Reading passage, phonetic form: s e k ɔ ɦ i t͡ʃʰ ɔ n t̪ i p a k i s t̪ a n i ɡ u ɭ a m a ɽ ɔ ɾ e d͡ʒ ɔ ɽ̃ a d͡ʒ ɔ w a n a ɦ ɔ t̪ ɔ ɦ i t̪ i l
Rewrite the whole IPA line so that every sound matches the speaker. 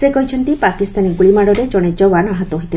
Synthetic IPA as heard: s e k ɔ ɦ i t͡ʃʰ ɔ n t̪ i p a k i s t̪ a n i ɡ u ɭ i m a ɽ ɔ ɾ e d͡ʒ ɔ ɽ̃ e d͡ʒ ɔ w a n a ɦ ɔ t̪ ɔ ɦ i t̪ i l